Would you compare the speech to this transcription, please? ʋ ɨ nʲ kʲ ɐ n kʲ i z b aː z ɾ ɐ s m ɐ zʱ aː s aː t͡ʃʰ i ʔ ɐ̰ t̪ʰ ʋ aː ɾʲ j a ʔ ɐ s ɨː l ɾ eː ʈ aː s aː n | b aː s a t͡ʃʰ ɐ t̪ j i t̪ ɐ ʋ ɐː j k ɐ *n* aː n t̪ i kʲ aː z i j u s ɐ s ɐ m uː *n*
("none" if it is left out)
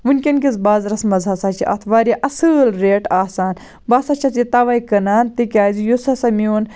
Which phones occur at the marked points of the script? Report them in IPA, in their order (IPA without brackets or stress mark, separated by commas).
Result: n, n